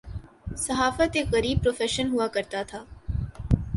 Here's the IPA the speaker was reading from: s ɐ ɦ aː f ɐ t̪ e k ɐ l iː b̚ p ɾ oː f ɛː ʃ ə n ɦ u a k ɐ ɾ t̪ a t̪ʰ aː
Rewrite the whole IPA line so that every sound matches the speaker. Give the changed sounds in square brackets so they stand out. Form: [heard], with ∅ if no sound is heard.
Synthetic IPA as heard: s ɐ ɦ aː f [ə] t̪ e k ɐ [ɾ] iː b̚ p ɾ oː f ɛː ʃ ə n ɦ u a k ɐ ɾ t̪ a t̪ʰ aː

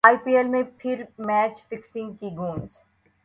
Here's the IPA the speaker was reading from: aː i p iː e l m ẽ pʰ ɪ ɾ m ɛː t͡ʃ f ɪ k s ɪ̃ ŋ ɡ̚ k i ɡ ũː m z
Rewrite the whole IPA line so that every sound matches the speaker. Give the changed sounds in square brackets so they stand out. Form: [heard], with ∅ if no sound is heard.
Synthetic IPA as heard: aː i p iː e l m ẽ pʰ ɪ ɾ m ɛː t͡ʃ f ɪ k s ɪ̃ ŋ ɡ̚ k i ɡ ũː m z

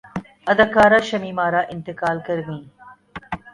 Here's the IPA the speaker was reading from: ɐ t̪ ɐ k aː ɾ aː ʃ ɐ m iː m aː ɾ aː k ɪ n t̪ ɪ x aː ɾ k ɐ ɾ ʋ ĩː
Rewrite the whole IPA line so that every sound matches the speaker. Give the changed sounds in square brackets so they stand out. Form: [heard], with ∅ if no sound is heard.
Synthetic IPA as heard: ɐ [d̪] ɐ k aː ɾ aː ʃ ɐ m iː m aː ɾ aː [ʔ] ɪ n t̪ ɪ [k] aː [l] k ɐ ɾ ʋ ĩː

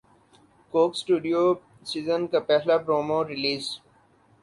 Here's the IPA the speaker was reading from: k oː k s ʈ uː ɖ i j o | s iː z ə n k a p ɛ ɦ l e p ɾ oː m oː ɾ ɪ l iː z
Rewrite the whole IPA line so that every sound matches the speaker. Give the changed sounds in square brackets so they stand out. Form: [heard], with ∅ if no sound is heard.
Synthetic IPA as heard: k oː k s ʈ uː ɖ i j o | s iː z ə n k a p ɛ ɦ l [a] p ɾ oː m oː ɾ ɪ l iː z

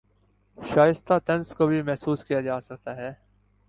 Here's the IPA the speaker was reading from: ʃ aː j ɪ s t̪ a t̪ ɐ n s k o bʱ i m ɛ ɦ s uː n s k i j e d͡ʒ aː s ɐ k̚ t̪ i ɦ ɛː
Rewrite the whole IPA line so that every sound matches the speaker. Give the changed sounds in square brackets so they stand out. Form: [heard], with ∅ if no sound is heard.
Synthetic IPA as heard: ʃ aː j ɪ s t̪ a t̪ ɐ n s k o bʱ i m ɛ ɦ s uː [∅] s k i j [a] d͡ʒ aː s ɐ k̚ t̪ [a] ɦ ɛː

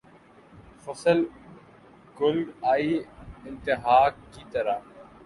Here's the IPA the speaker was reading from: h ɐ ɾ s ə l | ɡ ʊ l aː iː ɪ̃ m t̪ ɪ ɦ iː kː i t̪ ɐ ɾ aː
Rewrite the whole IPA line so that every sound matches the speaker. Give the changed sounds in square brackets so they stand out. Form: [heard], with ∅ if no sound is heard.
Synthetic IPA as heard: [f] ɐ [∅] s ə l | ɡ ʊ l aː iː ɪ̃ [n] t̪ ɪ ɦ [aː] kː i t̪ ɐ ɾ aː

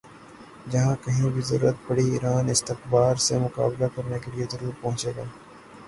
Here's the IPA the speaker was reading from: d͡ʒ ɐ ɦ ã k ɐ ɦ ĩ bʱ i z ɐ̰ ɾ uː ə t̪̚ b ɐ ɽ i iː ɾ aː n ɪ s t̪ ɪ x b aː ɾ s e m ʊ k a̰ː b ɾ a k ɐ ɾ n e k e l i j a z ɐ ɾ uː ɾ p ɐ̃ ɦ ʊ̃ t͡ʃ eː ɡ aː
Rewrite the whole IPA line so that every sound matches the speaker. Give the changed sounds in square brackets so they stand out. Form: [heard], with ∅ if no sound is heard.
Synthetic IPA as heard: d͡ʒ ɐ ɦ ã k ɐ ɦ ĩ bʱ i z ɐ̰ ɾ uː ə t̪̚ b ɐ ɽ i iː ɾ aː n ɪ s t̪ ɪ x b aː ɾ s e m ʊ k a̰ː b [l] a k ɐ ɾ n e k e l i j [e] z ɐ ɾ uː ɾ p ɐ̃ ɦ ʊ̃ t͡ʃ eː ɡ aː

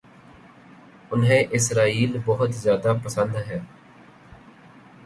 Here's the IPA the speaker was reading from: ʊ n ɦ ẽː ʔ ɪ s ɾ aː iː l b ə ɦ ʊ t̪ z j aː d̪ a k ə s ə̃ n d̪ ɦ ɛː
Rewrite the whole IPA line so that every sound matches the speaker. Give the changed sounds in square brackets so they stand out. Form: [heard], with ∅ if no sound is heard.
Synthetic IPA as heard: ʊ n ɦ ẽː ʔ ɪ s ɾ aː iː l b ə ɦ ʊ t̪ z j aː d̪ a [p] ə s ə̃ n d̪ ɦ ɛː

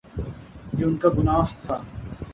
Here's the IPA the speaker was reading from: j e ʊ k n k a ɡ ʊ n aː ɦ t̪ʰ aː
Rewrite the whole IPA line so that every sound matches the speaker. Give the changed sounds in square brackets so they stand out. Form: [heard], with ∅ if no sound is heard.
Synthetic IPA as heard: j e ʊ [∅] n k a ɡ ʊ n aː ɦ t̪ʰ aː

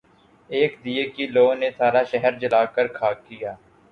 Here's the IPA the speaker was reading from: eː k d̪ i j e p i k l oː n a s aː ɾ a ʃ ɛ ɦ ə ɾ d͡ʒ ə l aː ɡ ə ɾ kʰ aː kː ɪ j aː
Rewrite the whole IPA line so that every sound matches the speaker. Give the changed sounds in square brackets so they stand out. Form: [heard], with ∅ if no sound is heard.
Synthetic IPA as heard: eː k d̪ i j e [k] i [∅] l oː n [e] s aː ɾ a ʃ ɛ ɦ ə ɾ d͡ʒ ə l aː [k] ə ɾ kʰ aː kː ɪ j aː

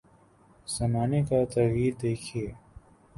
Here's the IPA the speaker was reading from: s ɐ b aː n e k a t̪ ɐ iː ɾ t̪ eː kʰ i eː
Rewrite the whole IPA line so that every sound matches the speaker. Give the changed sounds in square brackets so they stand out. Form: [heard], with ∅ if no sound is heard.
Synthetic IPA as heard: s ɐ [m] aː n e k a t̪ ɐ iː ɾ [d̪] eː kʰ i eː

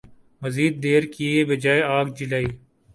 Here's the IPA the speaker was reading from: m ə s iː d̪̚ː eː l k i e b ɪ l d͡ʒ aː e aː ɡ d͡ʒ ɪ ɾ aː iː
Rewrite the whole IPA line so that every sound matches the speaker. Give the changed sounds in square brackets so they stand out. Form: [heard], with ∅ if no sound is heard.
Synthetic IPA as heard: m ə [z] iː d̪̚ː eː [ɾ] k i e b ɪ [∅] d͡ʒ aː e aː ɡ d͡ʒ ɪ [l] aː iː

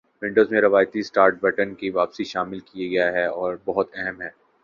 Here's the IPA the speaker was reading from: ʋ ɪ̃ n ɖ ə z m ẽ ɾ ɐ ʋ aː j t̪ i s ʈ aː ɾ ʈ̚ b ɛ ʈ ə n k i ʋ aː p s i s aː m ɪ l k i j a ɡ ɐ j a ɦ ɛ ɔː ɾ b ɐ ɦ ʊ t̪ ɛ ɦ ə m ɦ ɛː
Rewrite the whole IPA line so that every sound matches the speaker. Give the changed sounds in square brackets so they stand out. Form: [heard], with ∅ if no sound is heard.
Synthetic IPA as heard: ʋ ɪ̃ [ɳ] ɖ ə z m ẽ ɾ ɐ ʋ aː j t̪ i s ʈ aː ɾ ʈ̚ b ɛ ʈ ə n k i ʋ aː p s i [ʃ] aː m ɪ l k i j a ɡ ɐ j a ɦ ɛ ɔː ɾ b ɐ ɦ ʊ t̪ ɛ ɦ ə m ɦ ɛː

